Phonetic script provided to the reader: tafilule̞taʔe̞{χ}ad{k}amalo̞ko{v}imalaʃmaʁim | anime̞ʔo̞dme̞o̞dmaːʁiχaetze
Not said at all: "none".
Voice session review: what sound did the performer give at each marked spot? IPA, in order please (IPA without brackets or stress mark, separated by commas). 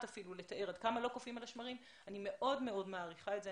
ʁ, k, f